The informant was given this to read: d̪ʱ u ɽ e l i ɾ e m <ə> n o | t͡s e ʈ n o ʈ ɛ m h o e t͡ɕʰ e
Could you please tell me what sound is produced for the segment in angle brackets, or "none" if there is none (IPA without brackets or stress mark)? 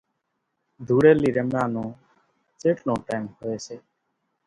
a